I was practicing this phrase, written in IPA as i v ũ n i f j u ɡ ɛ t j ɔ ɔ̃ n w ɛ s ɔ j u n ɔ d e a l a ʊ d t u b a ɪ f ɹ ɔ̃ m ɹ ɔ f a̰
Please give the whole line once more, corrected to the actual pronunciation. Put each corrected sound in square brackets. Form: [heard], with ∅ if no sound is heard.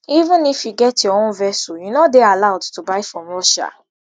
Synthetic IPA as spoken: i v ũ n i f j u ɡ ɛ t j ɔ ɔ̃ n [v] ɛ s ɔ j u n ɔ d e a l a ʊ d t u b a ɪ f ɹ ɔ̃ m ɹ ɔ [ʃ] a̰